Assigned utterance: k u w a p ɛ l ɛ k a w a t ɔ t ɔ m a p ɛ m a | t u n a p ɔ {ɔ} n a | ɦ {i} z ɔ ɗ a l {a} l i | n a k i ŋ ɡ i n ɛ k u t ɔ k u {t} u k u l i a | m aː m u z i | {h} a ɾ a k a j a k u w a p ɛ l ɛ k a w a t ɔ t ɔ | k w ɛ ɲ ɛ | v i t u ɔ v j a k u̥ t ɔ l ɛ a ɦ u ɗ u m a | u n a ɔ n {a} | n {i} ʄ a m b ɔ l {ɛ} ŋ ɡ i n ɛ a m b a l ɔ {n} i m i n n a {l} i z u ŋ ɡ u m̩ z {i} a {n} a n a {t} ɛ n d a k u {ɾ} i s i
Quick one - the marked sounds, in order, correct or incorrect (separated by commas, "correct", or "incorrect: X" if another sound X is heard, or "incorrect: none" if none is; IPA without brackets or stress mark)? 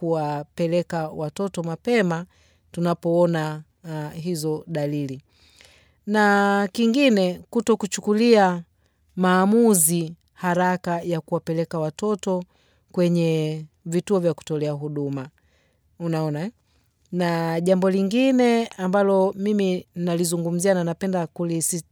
correct, correct, incorrect: i, incorrect: t͡ʃ, correct, correct, incorrect: a, incorrect: i, incorrect: m, correct, correct, correct, incorrect: p, incorrect: l